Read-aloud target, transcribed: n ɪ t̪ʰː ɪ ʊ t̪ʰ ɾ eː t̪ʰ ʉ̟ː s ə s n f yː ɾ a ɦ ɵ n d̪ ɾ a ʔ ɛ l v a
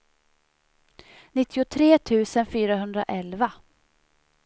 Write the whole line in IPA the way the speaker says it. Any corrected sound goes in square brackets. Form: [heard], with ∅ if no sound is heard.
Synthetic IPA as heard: n ɪ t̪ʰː ɪ ʊ t̪ʰ ɾ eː t̪ʰ ʉ̟ː s ə [∅] n f yː ɾ a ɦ ɵ n d̪ ɾ a ʔ ɛ l v a